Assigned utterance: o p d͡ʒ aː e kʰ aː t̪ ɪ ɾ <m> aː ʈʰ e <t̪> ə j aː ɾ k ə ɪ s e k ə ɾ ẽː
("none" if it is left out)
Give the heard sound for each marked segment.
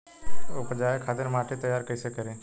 m, t̪

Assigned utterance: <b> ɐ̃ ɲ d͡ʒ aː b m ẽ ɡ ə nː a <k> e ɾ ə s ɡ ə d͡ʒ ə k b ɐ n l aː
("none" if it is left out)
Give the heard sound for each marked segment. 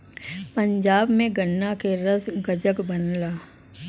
p, k

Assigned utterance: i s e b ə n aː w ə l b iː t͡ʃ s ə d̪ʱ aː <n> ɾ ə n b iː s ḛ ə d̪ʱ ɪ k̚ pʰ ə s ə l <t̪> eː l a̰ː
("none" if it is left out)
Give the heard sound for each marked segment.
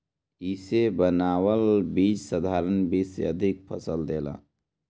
none, d̪

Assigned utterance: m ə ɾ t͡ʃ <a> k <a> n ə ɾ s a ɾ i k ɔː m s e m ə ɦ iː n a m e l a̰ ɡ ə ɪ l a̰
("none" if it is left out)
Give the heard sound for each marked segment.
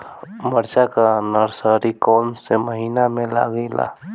a, a

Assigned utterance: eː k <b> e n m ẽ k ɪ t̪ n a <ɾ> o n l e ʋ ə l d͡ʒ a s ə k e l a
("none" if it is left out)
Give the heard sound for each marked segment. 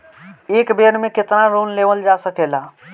b, ɾ

